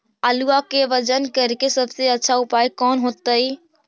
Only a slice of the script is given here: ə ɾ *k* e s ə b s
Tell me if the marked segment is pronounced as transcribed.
yes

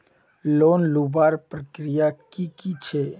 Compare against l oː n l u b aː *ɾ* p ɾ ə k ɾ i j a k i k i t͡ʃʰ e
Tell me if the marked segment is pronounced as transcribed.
yes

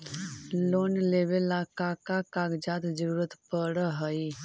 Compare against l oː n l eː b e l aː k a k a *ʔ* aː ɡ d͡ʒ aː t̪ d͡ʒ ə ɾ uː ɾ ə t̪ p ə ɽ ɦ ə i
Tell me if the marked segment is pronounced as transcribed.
no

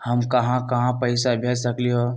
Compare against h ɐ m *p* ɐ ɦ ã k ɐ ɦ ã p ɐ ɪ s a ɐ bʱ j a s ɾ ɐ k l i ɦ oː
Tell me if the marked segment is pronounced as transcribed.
no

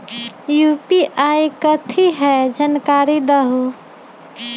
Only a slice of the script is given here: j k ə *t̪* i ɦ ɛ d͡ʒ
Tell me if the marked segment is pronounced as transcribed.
no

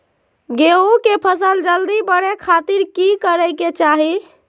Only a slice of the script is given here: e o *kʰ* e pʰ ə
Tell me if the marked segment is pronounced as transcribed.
no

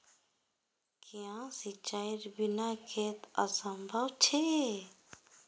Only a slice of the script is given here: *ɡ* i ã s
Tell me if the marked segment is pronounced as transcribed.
no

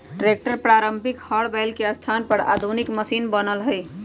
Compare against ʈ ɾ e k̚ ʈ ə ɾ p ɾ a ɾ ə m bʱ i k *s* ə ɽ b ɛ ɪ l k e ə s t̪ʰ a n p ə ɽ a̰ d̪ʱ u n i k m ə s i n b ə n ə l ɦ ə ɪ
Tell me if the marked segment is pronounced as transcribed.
no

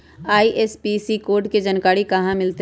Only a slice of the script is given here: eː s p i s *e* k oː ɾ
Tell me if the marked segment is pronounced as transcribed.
no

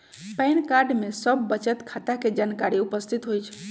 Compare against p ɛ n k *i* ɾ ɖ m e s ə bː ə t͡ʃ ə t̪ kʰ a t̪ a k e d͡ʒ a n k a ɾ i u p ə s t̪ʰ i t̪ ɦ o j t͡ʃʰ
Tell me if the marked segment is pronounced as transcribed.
no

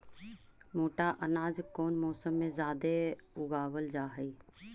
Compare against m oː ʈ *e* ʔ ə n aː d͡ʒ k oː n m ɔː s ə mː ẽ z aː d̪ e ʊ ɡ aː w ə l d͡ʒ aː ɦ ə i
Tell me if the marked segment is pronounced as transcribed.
no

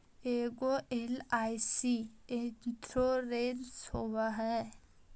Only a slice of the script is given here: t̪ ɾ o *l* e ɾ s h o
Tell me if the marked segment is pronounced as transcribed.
no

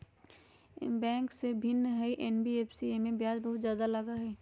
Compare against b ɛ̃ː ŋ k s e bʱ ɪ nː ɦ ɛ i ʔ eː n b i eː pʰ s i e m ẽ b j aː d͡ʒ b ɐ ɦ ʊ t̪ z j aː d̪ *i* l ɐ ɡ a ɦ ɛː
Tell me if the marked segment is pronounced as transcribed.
no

